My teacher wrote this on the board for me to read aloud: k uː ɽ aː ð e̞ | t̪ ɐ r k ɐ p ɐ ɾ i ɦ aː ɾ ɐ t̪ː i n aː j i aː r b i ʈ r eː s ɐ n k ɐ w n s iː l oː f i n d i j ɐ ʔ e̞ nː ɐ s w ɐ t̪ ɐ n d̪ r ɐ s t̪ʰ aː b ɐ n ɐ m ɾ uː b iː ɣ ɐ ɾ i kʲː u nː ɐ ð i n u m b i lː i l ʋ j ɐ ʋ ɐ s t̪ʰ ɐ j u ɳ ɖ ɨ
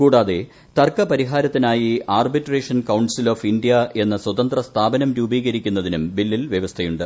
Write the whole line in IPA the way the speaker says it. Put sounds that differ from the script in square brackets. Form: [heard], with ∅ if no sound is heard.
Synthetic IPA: k uː ɽ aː ð e̞ | t̪ ɐ r k ɐ p ɐ ɾ i ɦ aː ɾ ɐ t̪ː i n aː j i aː r b i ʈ r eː [ʂ] ɐ n k ɐ w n s [i] l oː f i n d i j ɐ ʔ e̞ nː ɐ s w ɐ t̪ ɐ n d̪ r ɐ s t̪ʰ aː b ɐ n ɐ m ɾ uː b iː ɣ ɐ ɾ i kʲː u nː ɐ ð i n u m b i lː i l ʋ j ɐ ʋ ɐ s t̪ʰ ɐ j u ɳ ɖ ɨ